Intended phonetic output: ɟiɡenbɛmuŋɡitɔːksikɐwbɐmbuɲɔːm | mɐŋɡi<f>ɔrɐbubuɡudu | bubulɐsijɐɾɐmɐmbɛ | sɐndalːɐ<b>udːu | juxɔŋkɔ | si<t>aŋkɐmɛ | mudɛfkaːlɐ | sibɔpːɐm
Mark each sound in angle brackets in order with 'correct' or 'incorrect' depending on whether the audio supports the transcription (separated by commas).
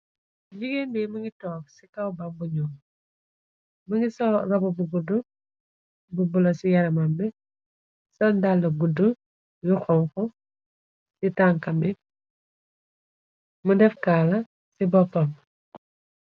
incorrect, incorrect, correct